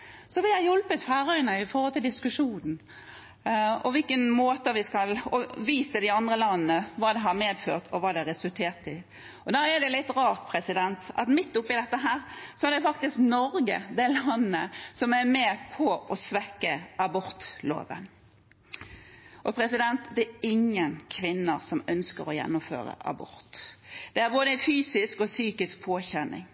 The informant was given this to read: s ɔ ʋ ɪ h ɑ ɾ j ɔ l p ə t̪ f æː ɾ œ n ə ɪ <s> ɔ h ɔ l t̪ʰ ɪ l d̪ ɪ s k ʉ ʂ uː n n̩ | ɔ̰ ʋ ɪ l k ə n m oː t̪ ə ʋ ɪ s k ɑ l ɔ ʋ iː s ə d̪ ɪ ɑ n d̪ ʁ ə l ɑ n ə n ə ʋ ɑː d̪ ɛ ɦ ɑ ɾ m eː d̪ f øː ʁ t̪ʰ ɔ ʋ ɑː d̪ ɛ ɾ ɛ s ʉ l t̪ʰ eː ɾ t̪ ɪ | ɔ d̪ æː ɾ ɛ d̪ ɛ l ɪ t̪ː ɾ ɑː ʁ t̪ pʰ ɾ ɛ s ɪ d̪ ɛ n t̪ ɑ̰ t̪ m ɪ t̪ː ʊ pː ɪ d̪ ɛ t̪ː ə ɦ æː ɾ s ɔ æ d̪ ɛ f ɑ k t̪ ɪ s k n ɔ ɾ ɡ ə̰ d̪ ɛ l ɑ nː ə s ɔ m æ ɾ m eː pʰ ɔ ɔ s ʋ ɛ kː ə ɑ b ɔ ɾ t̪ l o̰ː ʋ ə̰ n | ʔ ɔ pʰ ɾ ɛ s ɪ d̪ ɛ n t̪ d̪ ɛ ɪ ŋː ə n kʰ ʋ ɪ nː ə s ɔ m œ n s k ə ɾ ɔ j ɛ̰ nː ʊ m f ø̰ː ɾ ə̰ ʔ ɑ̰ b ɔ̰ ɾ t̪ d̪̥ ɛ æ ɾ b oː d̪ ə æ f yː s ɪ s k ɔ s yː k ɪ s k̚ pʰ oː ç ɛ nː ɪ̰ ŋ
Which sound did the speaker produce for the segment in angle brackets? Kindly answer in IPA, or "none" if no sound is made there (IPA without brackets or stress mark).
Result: f